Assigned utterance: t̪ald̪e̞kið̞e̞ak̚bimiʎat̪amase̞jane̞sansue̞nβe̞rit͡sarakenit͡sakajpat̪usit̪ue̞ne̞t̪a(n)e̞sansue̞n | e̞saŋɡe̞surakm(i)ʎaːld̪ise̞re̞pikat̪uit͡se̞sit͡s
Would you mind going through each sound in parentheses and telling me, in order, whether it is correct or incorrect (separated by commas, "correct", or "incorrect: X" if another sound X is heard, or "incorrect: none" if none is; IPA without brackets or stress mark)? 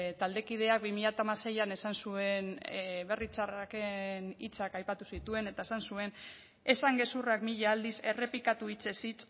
incorrect: none, correct